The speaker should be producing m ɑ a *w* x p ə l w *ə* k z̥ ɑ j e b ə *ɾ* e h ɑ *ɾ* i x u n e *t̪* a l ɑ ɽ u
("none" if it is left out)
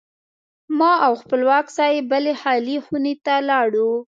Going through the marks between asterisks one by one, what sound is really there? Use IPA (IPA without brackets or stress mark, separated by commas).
w, ɑ, l, l, t̪